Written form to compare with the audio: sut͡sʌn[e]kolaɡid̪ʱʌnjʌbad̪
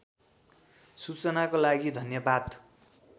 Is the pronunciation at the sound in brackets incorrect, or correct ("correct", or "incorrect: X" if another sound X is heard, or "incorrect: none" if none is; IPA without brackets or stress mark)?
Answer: incorrect: a